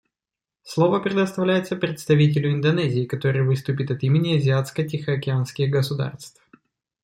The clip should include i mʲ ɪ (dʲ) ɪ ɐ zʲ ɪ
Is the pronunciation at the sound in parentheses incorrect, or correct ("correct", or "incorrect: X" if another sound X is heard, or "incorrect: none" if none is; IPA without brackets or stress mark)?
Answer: incorrect: nʲ